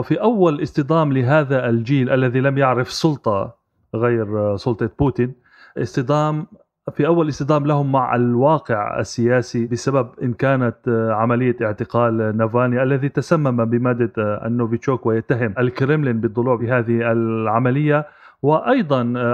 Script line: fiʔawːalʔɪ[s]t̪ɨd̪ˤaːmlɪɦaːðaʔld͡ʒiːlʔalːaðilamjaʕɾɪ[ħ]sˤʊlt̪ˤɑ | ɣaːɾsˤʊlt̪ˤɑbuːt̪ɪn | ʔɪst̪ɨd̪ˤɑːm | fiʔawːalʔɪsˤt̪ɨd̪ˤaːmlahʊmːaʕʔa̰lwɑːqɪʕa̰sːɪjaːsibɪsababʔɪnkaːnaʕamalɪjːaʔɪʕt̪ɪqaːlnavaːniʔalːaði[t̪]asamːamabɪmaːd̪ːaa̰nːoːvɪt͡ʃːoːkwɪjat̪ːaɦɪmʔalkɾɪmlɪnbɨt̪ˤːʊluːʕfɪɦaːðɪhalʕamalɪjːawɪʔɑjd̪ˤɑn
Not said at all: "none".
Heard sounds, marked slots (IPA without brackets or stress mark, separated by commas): s, f, t̪